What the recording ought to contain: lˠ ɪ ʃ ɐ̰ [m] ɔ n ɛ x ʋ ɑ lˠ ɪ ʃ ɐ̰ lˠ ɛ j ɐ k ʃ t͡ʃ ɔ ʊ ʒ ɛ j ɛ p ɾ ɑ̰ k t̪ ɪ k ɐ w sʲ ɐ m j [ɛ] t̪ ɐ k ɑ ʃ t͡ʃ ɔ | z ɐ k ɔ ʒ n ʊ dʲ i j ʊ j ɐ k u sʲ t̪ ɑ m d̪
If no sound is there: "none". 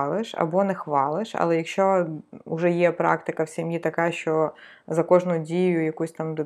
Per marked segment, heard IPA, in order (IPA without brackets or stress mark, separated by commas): b, i